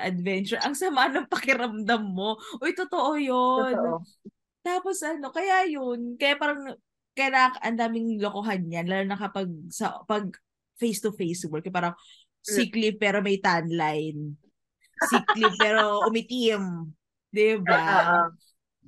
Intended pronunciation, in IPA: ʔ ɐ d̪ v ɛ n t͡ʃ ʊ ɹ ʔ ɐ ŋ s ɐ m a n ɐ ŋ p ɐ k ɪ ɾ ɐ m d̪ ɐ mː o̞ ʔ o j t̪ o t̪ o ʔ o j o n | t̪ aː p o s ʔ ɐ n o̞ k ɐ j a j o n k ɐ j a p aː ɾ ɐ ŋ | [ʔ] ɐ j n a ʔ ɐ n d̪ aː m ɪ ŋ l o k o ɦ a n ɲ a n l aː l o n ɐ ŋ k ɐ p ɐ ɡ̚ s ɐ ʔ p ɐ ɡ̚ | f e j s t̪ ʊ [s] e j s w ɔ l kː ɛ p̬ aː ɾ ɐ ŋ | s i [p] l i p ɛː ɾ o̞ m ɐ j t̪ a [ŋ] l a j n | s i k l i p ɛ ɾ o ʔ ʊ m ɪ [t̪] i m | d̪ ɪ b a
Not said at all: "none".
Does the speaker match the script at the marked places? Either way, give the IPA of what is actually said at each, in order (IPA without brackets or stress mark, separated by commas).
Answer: k, f, k, n, t̪